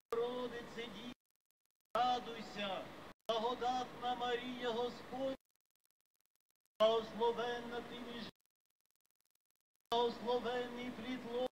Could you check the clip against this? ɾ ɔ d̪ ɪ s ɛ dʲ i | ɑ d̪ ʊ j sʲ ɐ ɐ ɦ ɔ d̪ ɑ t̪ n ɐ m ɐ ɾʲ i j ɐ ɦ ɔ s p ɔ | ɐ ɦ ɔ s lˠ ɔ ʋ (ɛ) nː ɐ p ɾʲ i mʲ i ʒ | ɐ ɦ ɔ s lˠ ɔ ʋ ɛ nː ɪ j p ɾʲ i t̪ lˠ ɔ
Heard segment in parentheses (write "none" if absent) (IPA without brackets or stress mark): ɛ